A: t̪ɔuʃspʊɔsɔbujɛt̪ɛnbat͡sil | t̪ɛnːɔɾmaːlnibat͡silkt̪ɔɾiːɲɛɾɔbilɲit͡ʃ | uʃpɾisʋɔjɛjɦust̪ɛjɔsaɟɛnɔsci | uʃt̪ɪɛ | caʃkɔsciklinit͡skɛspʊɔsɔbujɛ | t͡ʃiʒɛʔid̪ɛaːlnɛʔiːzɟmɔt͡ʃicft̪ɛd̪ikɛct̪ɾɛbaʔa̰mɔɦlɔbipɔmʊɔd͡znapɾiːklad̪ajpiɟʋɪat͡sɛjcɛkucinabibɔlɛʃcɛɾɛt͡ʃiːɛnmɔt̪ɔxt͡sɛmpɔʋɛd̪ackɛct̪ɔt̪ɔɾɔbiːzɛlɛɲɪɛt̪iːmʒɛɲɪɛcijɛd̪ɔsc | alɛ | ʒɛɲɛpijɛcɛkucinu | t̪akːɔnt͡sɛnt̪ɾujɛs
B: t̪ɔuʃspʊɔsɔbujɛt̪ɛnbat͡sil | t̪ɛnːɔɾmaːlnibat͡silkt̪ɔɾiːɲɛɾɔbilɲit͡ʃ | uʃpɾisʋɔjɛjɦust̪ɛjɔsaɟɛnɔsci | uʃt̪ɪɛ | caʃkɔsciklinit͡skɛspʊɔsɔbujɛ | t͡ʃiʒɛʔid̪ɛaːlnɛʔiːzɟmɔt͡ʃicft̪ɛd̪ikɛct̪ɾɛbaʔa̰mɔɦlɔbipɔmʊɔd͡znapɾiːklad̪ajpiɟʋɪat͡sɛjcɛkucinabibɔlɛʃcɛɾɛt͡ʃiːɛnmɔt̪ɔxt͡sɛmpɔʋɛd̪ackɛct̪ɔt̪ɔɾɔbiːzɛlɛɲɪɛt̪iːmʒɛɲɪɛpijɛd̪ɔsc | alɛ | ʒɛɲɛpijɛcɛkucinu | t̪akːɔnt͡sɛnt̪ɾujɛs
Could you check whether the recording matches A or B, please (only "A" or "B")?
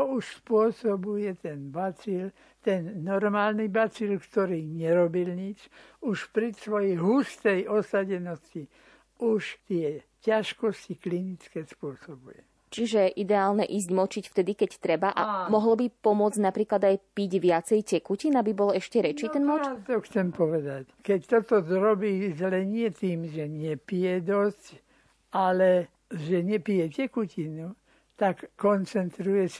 B